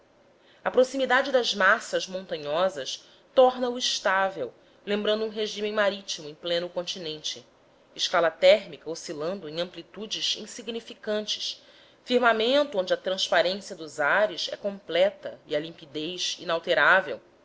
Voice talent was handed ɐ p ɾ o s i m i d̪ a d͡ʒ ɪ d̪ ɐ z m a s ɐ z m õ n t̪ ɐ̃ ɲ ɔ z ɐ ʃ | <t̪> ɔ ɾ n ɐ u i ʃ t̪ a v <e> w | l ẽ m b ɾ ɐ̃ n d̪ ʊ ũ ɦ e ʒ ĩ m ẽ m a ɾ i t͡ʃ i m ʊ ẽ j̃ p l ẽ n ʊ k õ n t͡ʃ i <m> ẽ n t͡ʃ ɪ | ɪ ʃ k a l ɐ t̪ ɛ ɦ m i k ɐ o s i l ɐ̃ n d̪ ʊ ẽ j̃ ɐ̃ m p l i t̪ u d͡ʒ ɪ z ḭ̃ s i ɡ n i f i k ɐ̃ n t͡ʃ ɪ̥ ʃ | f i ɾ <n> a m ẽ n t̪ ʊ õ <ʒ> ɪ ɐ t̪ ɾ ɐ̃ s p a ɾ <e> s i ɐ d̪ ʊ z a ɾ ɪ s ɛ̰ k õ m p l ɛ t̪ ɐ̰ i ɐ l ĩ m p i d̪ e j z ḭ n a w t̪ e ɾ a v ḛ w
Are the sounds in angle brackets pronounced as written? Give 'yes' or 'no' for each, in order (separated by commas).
yes, yes, no, no, no, no